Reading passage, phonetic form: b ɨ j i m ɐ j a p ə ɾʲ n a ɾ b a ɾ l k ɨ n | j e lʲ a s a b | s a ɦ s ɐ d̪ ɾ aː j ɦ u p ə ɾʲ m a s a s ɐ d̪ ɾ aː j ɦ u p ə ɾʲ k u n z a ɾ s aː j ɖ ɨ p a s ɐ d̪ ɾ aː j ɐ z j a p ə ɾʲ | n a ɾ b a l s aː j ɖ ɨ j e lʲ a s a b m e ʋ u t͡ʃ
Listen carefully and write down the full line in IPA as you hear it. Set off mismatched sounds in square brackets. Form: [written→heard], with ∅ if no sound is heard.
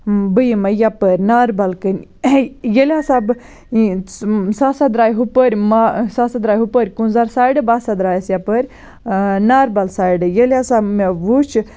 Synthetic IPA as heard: b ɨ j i m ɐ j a p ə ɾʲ n a ɾ b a [ɾ→∅] l k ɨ n | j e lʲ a s a b | s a [ɦ→∅] s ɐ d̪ ɾ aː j ɦ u p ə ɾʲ m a s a s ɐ d̪ ɾ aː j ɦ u p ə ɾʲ k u n z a ɾ s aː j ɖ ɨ [p→b] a s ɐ d̪ ɾ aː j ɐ [z→s] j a p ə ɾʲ | n a ɾ b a l s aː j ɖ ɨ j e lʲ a s a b m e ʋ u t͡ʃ